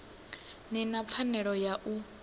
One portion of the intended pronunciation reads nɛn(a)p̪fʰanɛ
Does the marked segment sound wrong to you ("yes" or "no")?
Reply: no